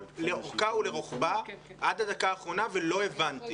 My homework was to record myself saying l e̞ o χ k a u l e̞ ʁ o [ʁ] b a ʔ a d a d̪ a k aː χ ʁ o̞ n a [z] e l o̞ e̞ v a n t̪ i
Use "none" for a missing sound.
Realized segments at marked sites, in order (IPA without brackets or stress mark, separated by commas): χ, v